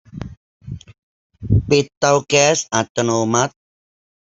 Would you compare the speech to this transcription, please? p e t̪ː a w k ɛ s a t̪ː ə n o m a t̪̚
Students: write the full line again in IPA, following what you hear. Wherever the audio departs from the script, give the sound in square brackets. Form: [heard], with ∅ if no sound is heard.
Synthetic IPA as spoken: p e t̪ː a w k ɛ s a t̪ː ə n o m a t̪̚